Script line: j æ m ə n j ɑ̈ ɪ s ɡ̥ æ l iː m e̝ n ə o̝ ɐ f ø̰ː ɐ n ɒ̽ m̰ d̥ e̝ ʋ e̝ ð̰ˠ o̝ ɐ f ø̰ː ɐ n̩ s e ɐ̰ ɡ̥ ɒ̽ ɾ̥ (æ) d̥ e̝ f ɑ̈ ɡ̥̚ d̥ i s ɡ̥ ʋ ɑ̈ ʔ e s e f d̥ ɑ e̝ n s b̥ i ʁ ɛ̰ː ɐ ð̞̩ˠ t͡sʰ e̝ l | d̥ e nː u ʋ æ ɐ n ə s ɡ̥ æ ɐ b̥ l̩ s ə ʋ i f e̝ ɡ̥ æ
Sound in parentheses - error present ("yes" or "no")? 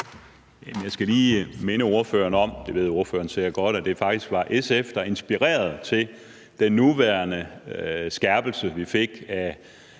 no